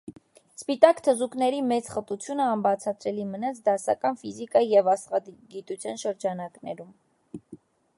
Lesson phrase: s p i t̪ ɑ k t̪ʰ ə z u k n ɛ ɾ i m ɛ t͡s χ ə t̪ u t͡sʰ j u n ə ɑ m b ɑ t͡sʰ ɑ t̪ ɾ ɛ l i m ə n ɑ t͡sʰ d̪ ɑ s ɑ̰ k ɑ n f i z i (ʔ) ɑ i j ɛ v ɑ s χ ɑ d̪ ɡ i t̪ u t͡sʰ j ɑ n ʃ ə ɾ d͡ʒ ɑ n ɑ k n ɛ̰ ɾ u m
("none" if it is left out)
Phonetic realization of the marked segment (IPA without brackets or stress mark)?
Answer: k